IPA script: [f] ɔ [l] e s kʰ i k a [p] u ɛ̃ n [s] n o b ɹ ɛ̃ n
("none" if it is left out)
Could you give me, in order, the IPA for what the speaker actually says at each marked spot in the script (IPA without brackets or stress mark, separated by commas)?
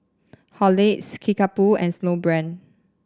h, l, p, s